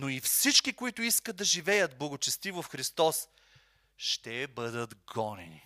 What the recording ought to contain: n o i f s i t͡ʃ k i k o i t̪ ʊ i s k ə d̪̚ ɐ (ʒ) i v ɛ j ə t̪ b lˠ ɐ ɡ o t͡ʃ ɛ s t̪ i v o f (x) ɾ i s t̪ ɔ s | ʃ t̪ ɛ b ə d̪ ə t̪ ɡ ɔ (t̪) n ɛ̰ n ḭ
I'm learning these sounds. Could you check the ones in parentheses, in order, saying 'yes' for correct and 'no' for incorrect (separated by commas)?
yes, yes, no